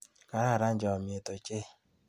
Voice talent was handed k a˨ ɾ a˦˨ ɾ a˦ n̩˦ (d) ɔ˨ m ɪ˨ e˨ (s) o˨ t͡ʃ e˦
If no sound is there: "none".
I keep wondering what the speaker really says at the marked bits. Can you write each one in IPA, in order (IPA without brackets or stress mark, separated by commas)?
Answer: d͡ʒ, t